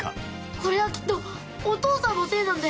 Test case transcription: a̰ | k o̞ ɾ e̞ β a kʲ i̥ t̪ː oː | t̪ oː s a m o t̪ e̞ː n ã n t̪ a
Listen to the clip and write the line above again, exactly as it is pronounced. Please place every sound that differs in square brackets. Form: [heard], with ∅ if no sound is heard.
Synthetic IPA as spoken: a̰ | k o̞ ɾ e̞ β a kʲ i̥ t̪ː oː | t̪ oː s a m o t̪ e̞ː n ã n [d̪] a